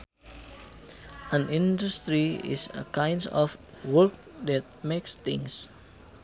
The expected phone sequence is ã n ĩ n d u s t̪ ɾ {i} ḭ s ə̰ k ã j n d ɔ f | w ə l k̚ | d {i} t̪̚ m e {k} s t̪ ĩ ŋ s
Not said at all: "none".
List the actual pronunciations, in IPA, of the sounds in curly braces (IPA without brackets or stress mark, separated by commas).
i, ɛ, k